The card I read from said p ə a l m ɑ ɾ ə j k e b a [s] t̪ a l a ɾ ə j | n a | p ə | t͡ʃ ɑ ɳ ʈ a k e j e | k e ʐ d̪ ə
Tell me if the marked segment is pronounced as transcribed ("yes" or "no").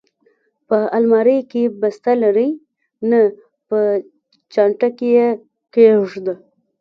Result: yes